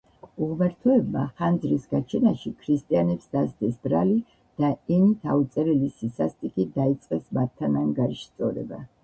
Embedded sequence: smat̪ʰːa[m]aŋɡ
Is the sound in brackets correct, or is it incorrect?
incorrect